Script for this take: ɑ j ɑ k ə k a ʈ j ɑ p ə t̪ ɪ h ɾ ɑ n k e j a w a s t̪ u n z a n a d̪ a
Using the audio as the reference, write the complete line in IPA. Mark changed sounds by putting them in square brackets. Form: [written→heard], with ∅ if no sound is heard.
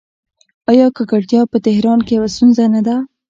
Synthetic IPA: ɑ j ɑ k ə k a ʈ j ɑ p ə t̪ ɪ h ɾ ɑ n k e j a w a s t̪ u n z a n a d̪ a